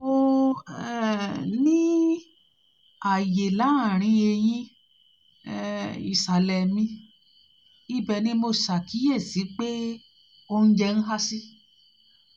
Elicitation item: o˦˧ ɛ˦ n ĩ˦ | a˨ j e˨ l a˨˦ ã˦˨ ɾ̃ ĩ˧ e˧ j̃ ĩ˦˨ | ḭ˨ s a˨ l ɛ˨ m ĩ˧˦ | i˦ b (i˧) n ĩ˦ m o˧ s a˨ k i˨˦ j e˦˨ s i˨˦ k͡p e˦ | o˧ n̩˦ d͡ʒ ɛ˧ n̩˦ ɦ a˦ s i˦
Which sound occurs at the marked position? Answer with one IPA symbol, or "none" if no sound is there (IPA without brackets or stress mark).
ɛ˧